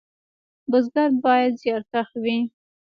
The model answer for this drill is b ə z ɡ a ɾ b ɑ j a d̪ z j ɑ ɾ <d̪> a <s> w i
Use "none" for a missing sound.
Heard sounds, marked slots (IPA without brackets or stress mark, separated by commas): t̪, x